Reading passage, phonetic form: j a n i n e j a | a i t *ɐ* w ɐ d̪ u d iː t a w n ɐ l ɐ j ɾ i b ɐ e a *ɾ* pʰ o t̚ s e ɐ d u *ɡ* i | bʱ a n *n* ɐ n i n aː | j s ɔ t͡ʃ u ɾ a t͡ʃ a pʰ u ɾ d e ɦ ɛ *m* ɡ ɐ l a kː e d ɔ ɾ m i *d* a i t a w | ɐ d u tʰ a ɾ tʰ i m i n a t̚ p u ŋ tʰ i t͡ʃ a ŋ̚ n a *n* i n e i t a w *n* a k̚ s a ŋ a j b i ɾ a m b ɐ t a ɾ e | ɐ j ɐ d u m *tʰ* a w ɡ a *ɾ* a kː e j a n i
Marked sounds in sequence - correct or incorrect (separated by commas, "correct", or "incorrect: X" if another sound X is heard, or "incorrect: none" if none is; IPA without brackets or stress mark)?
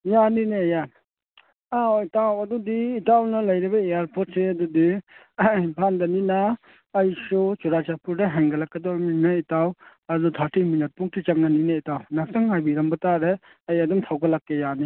incorrect: a, correct, incorrect: d, incorrect: d, incorrect: ŋ, incorrect: n, correct, correct, correct, incorrect: l